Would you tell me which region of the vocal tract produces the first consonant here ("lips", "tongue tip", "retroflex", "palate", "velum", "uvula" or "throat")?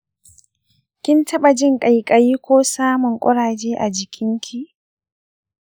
velum